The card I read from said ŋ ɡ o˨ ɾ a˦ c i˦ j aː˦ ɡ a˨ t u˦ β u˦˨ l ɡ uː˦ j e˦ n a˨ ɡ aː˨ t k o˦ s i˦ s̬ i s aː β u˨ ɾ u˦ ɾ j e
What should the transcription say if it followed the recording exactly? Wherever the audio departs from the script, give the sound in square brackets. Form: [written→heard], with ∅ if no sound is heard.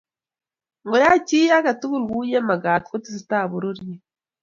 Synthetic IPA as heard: ŋ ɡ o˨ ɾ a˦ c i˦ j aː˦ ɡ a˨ t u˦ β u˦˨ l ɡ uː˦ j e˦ [n→m] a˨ ɡ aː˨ t k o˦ [s→t] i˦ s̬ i [s→t] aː β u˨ ɾ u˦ ɾ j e